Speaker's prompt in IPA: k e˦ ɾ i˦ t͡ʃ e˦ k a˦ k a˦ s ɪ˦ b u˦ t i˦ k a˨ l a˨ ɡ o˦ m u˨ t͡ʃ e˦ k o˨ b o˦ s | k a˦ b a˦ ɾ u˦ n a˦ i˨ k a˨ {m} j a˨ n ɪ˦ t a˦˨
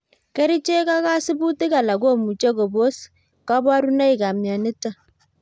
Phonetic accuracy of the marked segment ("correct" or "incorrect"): correct